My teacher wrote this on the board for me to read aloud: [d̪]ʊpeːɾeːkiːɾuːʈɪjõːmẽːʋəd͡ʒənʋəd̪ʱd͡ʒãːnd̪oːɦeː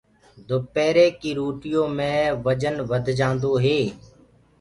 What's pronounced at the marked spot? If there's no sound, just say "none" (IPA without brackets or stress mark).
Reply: d̪